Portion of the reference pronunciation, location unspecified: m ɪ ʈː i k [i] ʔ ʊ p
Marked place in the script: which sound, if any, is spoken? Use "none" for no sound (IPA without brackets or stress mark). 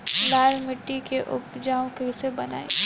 e